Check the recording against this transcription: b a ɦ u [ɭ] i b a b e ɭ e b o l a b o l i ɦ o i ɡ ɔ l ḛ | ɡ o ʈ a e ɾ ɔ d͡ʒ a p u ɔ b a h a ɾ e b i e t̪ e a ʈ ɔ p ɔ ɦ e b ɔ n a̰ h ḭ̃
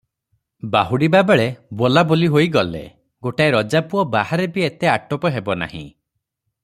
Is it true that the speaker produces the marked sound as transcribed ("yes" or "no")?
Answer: no